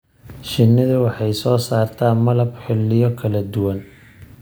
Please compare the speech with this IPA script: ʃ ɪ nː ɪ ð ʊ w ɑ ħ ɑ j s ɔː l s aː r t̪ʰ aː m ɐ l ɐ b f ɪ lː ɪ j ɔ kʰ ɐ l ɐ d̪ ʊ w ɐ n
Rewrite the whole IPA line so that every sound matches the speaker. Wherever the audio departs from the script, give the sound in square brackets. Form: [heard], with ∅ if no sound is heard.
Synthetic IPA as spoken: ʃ ɪ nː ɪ ð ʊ w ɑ ħ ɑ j s ɔː [∅] s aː r t̪ʰ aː m ɐ l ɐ b [ħ] ɪ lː ɪ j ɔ kʰ ɐ l ɐ d̪ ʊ w ɐ n

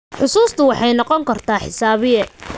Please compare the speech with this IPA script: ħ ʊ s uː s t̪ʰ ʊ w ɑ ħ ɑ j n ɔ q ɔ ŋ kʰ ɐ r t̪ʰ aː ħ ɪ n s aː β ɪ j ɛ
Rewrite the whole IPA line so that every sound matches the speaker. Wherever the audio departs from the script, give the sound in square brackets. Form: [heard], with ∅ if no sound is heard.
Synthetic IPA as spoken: ħ ʊ s uː s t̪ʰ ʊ w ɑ ħ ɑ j n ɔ q ɔ ŋ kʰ ɐ r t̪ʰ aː ħ ɪ [∅] s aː β ɪ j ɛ

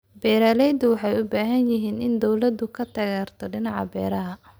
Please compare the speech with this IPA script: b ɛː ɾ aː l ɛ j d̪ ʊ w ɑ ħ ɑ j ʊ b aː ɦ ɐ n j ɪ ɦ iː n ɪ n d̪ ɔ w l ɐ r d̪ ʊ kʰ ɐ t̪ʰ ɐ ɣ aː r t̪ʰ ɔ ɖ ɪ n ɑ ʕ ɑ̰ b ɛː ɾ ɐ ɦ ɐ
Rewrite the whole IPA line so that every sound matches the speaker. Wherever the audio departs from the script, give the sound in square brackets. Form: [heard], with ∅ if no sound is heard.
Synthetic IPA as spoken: b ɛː ɾ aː l ɛ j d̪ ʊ w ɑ ħ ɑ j ʊ b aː ɦ ɐ n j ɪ ɦ iː n ɪ n d̪ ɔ w l ɐ [∅] d̪ ʊ kʰ ɐ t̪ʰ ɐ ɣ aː r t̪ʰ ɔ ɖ ɪ n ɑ ʕ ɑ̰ b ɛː ɾ ɐ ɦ ɐ

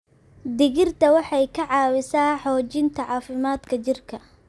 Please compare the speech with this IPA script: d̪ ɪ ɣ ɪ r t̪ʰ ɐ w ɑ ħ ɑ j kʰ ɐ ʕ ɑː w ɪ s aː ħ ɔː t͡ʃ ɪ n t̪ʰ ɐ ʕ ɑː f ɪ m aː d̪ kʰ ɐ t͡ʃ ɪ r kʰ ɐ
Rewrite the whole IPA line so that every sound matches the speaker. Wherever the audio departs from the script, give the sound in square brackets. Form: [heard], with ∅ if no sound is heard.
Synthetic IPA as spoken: d̪ ɪ ɣ ɪ r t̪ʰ ɐ w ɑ ħ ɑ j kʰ ɐ ʕ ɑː w ɪ s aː ħ ɔː t͡ʃ ɪ n t̪ʰ ɐ ʕ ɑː f ɪ m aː d̪ kʰ ɐ t͡ʃ ɪ r kʰ ɐ

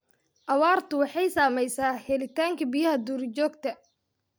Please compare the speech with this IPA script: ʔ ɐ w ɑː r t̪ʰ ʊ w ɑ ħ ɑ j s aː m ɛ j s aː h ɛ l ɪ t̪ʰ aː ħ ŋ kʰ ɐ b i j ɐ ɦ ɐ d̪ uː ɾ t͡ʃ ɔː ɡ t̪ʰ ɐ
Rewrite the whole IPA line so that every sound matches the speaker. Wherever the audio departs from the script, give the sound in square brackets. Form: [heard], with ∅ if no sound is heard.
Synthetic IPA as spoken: ʔ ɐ w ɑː r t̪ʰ ʊ w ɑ ħ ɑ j s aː m ɛ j s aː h ɛ l ɪ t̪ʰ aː [∅] ŋ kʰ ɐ b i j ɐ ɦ ɐ d̪ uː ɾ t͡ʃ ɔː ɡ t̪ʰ ɐ

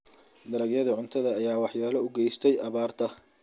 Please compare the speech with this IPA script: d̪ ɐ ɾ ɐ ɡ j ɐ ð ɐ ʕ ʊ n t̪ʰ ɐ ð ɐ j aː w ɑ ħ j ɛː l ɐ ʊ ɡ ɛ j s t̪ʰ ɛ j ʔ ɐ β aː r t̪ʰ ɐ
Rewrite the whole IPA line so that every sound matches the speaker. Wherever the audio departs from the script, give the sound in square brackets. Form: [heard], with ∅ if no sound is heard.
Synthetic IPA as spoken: d̪ ɐ ɾ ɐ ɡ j ɐ ð ɐ ʕ ʊ n t̪ʰ ɐ ð [ɐː] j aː w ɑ ħ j [aː] l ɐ ʊ ɡ ɛ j s t̪ʰ ɛ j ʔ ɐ β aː r t̪ʰ ɐ

